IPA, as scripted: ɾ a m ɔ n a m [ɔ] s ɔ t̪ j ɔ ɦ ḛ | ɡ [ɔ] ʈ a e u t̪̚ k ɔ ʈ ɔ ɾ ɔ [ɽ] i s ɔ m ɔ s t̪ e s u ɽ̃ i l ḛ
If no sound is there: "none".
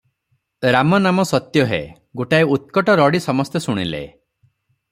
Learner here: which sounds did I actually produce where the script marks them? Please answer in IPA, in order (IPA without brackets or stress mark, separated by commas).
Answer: ɔ, o, ɽ